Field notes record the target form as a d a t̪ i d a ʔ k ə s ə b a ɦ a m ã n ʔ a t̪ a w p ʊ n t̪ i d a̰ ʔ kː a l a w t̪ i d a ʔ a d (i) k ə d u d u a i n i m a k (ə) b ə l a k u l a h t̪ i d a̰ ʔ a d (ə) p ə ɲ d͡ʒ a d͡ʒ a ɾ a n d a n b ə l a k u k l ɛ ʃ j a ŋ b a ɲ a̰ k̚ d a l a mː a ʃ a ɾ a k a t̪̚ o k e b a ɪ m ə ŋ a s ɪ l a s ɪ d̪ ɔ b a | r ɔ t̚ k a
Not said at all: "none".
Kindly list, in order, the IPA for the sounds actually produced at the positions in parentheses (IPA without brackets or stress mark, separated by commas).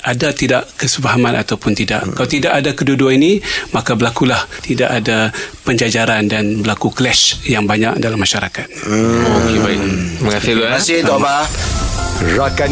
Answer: a, a, a